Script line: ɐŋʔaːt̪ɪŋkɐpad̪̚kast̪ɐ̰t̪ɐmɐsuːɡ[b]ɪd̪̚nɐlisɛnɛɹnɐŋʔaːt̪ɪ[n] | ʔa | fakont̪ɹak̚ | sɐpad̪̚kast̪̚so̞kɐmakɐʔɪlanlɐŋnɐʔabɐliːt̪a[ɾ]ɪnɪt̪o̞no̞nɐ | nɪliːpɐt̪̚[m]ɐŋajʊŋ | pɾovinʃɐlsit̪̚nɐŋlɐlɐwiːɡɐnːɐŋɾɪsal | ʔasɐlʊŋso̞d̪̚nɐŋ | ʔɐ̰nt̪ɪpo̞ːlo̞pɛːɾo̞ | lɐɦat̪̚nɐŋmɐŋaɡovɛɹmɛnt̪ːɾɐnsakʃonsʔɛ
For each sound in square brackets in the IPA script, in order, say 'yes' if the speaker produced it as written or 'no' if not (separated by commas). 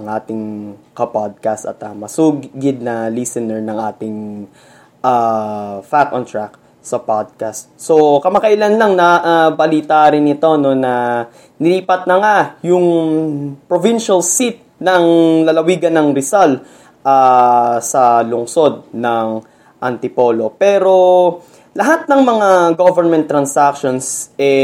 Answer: no, no, yes, no